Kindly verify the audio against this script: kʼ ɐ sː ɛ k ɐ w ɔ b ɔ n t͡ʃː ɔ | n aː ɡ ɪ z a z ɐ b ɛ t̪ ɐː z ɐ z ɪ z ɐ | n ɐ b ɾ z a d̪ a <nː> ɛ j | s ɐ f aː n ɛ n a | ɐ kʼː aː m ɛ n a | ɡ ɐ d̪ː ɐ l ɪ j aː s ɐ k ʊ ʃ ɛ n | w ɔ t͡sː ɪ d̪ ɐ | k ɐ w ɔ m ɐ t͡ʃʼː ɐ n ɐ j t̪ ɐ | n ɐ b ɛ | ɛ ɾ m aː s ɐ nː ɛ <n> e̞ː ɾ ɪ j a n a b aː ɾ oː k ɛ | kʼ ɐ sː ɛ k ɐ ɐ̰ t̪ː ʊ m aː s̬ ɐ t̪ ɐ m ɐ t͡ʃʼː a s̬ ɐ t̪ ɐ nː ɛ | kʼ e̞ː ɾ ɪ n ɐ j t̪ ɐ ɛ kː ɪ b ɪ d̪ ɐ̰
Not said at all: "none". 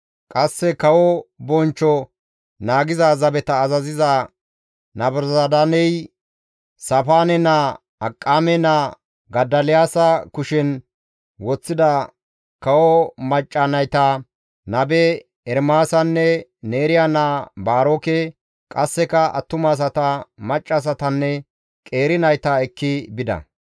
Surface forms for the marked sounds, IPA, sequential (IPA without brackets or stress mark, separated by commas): n, n